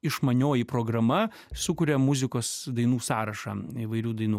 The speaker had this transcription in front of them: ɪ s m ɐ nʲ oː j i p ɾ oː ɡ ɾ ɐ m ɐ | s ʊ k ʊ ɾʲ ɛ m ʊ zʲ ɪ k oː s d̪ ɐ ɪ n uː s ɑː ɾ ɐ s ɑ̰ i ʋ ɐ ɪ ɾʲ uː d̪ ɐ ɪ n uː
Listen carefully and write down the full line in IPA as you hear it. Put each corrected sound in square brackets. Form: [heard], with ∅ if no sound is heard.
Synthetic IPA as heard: ɪ [ʃ] m ɐ nʲ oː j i p ɾ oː ɡ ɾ ɐ m ɐ | s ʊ k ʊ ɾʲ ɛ m ʊ zʲ ɪ k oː s d̪ ɐ ɪ n uː s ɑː ɾ ɐ [ʃ] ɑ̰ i ʋ ɐ ɪ ɾʲ uː d̪ ɐ ɪ n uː